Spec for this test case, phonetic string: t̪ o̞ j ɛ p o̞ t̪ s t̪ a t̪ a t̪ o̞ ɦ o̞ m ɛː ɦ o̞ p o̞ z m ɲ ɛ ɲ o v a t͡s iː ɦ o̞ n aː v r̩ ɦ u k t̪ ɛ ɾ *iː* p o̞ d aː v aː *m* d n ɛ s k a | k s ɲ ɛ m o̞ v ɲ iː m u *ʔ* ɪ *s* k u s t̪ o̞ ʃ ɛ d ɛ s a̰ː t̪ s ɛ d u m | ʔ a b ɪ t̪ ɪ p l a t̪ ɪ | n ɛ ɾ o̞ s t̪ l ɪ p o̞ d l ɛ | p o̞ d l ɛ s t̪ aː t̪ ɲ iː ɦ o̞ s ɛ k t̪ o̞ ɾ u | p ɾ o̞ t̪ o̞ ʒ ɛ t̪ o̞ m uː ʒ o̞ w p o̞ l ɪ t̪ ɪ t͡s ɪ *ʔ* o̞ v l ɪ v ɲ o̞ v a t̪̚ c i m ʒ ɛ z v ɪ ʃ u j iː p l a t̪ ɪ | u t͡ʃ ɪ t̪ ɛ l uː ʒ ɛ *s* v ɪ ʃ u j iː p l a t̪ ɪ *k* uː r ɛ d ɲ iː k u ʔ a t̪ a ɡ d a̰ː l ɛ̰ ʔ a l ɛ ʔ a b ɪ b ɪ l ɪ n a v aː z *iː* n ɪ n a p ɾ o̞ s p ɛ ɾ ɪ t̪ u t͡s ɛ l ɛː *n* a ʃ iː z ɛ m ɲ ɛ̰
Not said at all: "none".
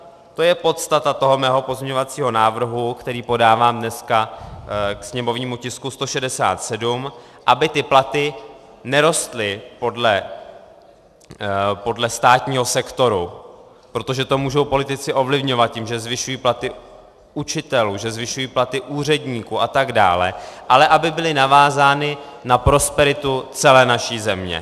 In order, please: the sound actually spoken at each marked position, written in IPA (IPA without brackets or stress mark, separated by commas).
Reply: iː, m, c, s, ʔ, z, ʔ, aː, n